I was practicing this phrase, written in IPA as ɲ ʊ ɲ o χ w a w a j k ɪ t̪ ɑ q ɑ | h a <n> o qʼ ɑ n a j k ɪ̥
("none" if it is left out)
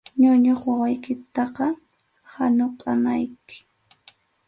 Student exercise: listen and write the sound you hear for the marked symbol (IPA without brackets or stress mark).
n